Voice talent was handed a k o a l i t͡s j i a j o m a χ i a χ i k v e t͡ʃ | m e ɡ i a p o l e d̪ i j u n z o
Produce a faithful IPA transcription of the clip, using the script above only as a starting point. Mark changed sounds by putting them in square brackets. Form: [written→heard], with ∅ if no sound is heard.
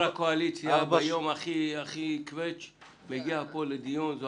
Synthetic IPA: a k o a l i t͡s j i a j o m a χ i a χ i k v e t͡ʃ | m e ɡ i a p o l e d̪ i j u n z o